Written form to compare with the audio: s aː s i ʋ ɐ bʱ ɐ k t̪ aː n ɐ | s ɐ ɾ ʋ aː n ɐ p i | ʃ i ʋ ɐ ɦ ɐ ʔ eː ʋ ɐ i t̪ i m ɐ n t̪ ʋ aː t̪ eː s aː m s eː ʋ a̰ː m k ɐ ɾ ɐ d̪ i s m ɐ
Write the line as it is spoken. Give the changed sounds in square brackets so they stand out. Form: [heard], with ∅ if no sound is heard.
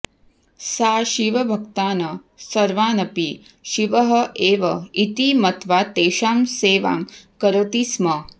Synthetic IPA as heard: s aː [ʃ] i ʋ ɐ bʱ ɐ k t̪ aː n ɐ | s ɐ ɾ ʋ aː n ɐ p i | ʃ i ʋ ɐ ɦ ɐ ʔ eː ʋ ɐ i t̪ i m ɐ [∅] t̪ ʋ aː t̪ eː [ʃ] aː m s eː ʋ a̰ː m k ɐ ɾ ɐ [t̪] i s m ɐ